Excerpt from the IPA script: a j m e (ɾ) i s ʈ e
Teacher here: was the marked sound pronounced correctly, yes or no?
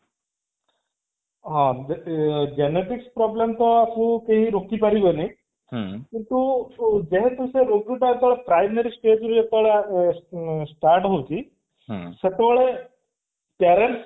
yes